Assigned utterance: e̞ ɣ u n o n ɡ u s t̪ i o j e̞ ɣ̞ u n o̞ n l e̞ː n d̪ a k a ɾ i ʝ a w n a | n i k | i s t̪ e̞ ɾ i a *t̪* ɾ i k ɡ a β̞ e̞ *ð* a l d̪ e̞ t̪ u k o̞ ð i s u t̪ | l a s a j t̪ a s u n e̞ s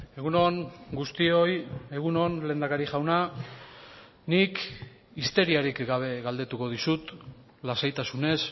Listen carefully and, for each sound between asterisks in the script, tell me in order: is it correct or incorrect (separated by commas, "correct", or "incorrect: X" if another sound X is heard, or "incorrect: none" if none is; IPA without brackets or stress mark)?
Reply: incorrect: none, incorrect: ɣ